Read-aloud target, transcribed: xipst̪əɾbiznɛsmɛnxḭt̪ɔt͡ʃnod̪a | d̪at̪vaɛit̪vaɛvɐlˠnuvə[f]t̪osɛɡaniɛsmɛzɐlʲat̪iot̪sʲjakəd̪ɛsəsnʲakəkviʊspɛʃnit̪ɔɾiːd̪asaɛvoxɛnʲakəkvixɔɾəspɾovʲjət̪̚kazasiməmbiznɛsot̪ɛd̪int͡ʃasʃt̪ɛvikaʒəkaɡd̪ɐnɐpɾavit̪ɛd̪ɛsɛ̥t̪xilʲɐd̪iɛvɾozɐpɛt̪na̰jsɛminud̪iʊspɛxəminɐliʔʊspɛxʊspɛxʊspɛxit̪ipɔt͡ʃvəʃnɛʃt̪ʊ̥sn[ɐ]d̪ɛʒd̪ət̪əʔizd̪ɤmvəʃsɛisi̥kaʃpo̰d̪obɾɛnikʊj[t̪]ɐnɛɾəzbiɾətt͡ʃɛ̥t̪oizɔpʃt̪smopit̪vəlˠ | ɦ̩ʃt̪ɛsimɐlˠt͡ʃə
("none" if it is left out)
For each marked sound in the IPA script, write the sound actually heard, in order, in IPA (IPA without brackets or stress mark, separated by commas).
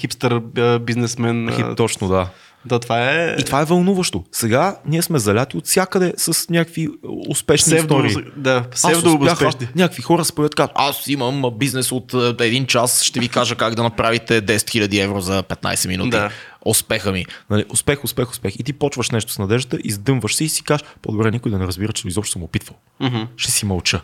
ʃ, ɐ, d̪